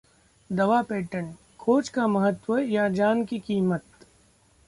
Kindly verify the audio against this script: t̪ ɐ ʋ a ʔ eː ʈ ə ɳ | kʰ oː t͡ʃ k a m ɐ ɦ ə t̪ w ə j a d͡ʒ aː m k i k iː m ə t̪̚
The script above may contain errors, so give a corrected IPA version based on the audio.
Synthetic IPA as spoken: d̪ ɐ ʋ a p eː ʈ ə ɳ | kʰ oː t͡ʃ k a m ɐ ɦ ə t̪ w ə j a d͡ʒ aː n k i k iː m ə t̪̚